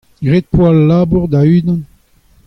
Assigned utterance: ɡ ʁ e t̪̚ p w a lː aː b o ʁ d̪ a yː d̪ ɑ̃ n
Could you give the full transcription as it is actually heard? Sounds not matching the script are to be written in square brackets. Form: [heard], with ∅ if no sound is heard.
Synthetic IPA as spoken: ɡ ʁ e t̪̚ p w a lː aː b [u] ʁ d̪ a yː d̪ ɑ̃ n